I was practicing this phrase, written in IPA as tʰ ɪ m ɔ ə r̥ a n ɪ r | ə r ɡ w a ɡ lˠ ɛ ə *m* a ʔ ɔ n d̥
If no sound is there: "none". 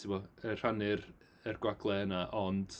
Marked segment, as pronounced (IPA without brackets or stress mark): n